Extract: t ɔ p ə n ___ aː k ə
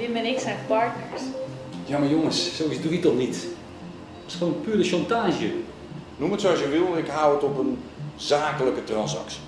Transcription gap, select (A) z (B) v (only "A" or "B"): A